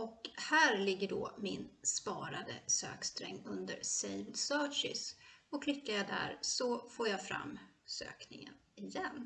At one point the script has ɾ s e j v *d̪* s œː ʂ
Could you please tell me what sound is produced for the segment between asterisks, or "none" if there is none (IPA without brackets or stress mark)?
d̪